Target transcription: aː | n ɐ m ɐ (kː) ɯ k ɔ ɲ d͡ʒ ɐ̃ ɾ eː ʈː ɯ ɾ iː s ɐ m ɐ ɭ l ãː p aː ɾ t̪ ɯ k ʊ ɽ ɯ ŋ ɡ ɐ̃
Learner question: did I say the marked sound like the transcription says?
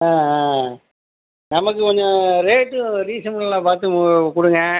yes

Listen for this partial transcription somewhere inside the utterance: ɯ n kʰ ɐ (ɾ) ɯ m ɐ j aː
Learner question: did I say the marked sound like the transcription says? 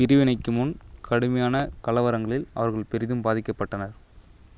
no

